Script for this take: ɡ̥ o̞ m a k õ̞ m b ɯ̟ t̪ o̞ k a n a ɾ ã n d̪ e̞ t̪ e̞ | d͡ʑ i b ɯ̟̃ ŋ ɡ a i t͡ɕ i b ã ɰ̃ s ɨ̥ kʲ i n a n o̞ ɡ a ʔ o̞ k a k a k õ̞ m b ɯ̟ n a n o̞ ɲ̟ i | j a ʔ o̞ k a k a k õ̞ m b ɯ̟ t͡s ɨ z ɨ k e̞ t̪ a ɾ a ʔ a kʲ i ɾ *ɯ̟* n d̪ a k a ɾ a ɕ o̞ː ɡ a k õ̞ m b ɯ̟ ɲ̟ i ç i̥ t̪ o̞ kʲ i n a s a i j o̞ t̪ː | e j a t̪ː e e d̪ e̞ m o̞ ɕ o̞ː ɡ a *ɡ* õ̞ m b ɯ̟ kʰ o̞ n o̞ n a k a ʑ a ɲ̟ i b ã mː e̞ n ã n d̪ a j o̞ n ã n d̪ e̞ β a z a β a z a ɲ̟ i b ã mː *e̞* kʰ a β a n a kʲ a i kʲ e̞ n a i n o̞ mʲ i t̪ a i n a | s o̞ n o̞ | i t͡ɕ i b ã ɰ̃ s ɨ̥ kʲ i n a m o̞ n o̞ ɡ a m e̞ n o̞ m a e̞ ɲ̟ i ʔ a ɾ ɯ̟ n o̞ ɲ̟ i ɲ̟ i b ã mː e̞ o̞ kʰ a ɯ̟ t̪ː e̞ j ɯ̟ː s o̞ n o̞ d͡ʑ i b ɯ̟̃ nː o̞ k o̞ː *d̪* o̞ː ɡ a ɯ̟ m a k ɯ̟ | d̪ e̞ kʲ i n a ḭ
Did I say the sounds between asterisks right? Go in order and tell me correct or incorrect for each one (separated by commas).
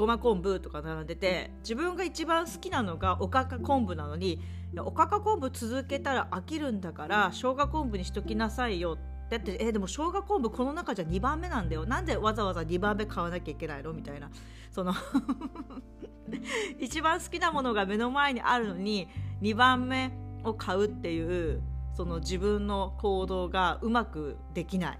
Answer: incorrect, incorrect, correct, correct